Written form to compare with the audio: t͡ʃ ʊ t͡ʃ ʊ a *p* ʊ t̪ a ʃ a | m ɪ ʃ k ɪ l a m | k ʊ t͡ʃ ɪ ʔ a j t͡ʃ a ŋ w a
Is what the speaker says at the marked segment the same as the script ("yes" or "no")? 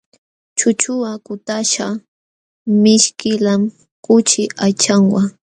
no